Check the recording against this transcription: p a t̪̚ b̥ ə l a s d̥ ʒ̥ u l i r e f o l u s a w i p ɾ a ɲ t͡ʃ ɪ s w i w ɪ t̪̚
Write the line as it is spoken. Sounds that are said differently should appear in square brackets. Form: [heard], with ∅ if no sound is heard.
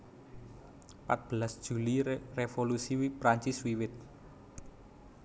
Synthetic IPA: p a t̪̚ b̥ ə l a s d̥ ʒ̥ u l i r e f o l u s [i] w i p ɾ a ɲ t͡ʃ ɪ s w i w ɪ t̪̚

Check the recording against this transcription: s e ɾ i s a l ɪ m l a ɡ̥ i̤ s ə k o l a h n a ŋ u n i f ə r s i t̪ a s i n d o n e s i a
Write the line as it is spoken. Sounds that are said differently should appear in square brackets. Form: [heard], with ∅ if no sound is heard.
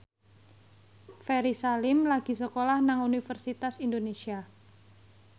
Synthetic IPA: [f] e ɾ i s a l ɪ m l a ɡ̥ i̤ s ə k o l a h n a ŋ u n i f ə r s i t̪ a s i n d o n e s i a

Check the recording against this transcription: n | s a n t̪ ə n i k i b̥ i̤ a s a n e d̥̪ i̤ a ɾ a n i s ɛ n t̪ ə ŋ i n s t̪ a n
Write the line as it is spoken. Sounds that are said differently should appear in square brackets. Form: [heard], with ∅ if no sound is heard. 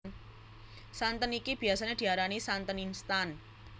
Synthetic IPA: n | s a n t̪ ə n i k i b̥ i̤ a s a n e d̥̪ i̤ a ɾ a n i s [a] n t̪ ə [n] i n s t̪ a n

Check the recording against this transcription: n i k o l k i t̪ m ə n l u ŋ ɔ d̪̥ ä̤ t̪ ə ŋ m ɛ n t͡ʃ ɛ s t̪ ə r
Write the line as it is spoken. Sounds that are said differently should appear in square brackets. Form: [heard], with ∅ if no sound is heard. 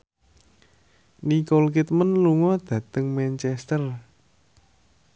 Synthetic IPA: n i k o l k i t̪ m ə n l u ŋ ɔ d̪̥ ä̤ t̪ ə ŋ m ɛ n t͡ʃ ɛ s t̪ ə r

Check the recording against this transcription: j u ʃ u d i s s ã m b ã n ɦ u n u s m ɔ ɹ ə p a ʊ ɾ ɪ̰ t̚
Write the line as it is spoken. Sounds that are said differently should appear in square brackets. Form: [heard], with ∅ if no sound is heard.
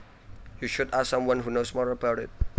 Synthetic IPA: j u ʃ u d [a] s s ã m [w] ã n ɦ u n [o] s m ɔ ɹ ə [b] a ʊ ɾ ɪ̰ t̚

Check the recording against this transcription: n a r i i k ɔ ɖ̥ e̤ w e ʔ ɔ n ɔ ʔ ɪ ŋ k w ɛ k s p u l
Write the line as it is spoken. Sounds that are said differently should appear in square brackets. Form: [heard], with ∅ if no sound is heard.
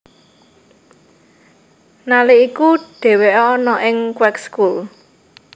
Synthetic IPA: n a [l] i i k [u] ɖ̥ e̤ w e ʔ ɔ n ɔ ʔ ɪ ŋ k w ɛ k s [k] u l

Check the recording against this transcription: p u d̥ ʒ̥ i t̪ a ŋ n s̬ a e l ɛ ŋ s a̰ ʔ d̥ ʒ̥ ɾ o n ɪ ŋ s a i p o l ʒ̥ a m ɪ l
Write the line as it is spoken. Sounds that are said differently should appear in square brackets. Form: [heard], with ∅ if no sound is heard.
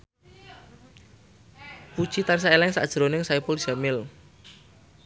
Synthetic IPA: p u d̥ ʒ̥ i t̪ a [∅] n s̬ a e l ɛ ŋ s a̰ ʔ d̥ ʒ̥ ɾ o n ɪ ŋ s a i p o l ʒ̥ a m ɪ l

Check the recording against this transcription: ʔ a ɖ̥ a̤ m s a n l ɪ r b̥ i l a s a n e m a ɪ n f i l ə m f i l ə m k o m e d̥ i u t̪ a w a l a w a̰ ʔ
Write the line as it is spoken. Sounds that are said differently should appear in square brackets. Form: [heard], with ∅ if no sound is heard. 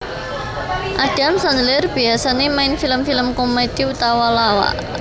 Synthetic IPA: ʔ a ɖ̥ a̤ m s a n l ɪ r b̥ i [∅] a s a n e m a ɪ n f i l ə m f i l ə m k o m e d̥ i u t̪ a w a l a w a̰ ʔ

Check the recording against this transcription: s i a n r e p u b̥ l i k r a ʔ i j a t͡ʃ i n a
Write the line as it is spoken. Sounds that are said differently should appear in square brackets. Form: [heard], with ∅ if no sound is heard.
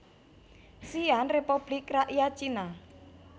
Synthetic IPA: s i a n r e p u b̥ l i k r a ʔ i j a t͡ʃ i n a

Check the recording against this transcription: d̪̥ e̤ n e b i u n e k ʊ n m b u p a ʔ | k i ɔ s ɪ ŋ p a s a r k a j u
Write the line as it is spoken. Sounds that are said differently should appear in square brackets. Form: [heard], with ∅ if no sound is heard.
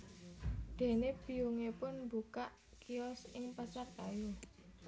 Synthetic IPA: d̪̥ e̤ n e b i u [ŋ] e [p] ʊ n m b u [k] a ʔ | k i ɔ s ɪ ŋ p a s a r k a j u

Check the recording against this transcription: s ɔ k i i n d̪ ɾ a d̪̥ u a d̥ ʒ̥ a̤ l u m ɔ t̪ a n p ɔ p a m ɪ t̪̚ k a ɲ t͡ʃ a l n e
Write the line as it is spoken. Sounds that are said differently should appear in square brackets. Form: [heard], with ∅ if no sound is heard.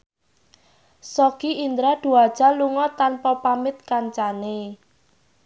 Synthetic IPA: s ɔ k i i n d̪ ɾ a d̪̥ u a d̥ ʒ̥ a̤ l u [ŋ] ɔ t̪ a n p ɔ p a m ɪ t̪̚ k a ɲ t͡ʃ a [∅] n e

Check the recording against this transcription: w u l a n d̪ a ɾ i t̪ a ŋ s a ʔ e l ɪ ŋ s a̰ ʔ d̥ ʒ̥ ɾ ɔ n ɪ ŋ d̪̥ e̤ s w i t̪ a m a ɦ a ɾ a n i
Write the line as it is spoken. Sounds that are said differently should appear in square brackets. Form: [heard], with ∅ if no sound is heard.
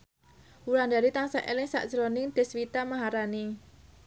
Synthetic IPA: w u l a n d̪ a ɾ i t̪ a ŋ s a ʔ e l ɪ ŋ s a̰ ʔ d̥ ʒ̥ ɾ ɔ n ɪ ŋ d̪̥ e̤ s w i t̪ a m a ɦ a ɾ a n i

